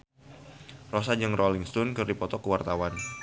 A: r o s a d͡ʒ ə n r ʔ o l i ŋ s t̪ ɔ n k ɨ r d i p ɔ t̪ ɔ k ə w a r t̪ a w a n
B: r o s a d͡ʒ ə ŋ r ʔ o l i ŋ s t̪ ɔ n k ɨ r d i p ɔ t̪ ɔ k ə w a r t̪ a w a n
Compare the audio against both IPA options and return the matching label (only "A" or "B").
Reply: B